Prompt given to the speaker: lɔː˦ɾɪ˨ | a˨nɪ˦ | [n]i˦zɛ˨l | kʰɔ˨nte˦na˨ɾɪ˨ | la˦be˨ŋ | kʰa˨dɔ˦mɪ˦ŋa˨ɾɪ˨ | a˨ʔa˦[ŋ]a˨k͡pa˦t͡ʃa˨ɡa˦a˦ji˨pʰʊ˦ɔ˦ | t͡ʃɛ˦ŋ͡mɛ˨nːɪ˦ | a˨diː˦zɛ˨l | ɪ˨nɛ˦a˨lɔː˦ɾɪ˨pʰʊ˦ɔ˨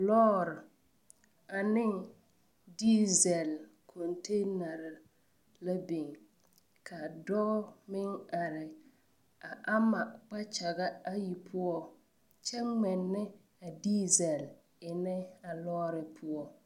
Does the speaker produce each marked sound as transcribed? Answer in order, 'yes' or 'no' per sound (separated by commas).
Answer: no, no